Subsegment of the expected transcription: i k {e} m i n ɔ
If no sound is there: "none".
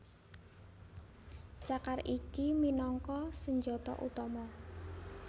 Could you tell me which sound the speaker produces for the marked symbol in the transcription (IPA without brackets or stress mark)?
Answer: i